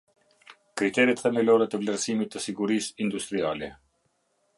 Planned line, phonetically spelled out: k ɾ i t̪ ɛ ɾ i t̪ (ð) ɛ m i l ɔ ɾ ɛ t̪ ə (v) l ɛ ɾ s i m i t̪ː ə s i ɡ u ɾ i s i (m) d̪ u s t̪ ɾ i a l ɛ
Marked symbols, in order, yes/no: no, yes, no

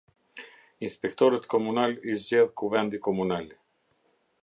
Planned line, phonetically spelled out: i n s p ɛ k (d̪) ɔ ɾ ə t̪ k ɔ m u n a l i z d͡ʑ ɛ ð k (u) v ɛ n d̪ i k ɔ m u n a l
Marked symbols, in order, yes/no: no, yes

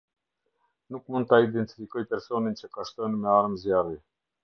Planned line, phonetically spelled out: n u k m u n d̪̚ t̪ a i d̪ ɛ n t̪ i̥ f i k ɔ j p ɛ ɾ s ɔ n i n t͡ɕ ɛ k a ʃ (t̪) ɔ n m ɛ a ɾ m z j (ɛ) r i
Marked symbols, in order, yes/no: yes, no

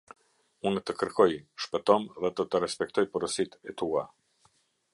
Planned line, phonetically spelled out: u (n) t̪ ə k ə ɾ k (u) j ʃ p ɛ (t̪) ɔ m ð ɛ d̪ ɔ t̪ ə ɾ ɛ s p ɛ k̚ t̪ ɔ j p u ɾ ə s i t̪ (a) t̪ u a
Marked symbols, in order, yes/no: yes, no, yes, no

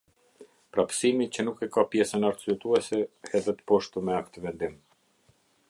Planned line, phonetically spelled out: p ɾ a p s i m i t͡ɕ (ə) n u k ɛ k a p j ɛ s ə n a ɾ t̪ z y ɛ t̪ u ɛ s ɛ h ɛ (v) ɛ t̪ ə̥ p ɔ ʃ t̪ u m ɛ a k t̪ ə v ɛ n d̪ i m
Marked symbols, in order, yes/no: yes, no

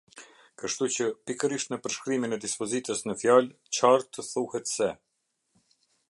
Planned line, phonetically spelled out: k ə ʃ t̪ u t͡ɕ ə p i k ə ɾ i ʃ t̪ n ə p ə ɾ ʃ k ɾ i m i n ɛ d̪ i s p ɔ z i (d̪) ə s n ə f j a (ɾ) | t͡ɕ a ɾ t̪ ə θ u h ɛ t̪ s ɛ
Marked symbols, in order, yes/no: no, no

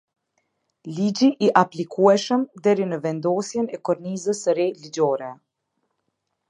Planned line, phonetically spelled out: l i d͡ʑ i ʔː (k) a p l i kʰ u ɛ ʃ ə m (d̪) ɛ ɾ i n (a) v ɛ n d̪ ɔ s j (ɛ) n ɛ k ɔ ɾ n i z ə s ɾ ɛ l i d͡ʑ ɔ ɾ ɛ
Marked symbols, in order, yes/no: no, yes, no, yes

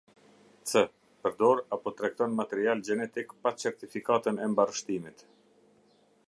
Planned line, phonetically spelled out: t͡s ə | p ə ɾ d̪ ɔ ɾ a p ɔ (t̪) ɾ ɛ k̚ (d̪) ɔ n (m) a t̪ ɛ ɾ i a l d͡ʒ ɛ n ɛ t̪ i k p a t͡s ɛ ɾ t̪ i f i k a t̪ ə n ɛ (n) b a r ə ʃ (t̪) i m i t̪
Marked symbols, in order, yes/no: yes, no, yes, no, yes

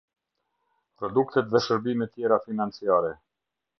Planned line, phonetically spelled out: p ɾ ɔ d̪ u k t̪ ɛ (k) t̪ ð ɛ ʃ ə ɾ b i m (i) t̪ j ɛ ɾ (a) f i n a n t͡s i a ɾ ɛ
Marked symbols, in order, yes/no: no, no, yes

